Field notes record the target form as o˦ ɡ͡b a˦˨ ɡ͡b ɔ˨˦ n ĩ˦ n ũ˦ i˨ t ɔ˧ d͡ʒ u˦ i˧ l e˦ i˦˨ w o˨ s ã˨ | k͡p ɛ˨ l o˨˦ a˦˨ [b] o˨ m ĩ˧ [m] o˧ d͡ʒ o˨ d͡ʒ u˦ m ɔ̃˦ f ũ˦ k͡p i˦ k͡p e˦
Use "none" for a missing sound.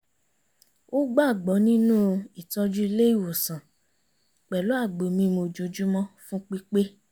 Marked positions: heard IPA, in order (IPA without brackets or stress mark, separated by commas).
ɡ͡b, m